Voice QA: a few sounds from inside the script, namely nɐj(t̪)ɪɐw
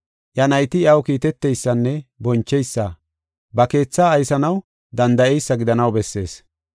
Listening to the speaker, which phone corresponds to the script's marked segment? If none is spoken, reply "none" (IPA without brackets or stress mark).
t̪